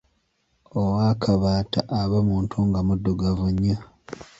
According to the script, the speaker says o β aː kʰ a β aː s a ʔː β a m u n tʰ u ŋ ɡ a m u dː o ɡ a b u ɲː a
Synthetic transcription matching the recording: o w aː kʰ a β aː t a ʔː β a m uː n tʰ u ŋ ɡ a m u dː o ɡ a v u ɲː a